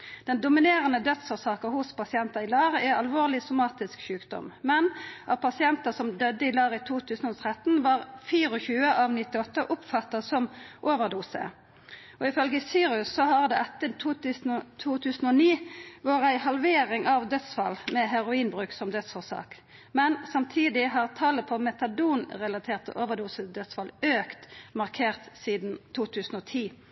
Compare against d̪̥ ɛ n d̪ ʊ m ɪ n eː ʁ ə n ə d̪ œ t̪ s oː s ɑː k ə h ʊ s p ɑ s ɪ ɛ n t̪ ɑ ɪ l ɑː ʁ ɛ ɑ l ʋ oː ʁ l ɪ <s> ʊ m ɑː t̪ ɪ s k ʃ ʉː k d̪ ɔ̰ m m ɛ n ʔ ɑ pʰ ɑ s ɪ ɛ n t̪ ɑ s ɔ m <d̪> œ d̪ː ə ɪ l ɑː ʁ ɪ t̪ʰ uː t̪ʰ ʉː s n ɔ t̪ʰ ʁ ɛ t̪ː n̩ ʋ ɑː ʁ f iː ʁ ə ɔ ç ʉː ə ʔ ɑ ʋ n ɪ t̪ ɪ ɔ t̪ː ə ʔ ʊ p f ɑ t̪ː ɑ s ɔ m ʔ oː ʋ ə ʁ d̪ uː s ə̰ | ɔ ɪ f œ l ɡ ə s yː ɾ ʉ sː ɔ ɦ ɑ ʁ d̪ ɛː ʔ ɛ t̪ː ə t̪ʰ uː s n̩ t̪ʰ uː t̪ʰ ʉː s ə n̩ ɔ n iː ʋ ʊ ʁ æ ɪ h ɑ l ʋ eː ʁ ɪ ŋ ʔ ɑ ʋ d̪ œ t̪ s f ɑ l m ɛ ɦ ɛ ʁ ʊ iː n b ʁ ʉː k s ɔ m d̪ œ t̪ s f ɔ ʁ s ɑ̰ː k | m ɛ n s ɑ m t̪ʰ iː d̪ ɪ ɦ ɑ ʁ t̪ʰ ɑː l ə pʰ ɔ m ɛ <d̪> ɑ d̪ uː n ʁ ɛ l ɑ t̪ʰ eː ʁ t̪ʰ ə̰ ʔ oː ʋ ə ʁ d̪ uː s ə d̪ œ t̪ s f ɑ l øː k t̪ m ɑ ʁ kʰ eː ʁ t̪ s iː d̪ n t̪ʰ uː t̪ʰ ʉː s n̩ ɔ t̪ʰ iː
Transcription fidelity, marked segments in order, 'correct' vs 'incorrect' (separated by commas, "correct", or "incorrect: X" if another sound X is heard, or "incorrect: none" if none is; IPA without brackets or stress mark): correct, correct, incorrect: t̪